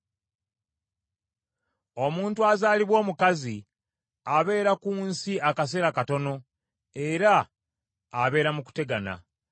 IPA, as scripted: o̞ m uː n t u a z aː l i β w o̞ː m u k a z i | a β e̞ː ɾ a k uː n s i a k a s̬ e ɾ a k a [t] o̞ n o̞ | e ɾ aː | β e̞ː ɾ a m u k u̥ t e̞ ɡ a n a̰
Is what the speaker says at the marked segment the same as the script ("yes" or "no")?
yes